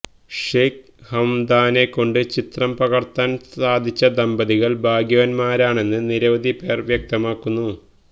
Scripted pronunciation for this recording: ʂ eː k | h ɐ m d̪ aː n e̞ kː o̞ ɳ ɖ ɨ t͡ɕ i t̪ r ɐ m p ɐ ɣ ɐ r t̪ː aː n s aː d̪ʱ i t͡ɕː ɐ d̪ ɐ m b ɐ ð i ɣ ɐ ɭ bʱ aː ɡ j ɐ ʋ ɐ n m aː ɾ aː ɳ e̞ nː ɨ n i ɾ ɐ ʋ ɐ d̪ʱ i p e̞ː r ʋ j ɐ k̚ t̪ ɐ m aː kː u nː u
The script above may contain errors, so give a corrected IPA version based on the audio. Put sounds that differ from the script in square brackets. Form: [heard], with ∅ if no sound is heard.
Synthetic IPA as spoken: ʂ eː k | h ɐ m d̪ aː n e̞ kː o̞ ɳ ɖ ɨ t͡ɕ i t̪ r ɐ m p ɐ ɣ ɐ r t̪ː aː n s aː d̪ʱ i t͡ɕː ɐ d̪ ɐ m b ɐ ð i ɣ ɐ ɭ bʱ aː ɡ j ɐ ʋ ɐ n m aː ɾ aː ɳ e̞ nː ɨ n i ɾ ɐ ʋ ɐ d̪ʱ i p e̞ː r ʋ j ɐ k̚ t̪ ɐ m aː kː u nː u